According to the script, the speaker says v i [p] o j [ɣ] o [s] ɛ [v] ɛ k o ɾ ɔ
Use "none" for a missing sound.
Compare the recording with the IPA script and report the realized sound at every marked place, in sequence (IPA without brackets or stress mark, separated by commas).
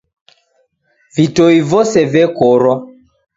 t, v, s, v